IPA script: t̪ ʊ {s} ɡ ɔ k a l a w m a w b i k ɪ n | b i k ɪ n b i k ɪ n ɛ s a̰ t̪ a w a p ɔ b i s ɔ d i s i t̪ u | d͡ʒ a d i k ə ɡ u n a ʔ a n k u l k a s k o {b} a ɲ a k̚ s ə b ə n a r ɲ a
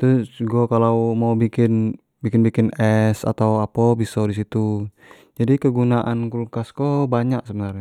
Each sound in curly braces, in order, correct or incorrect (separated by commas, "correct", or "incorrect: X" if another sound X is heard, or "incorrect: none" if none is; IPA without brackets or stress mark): correct, correct